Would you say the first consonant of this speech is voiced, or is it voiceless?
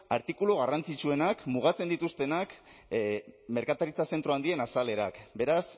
voiced